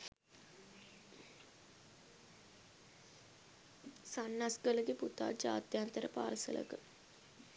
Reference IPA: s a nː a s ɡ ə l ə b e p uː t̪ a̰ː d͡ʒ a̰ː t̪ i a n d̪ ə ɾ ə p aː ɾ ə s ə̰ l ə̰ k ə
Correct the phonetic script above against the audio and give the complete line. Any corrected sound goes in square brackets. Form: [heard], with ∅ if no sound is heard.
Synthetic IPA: s a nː a s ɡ ə l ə [ɡ] e p [u] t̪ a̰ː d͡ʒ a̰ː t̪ [j] a n [t̪] ə ɾ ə p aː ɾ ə s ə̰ l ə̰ k ə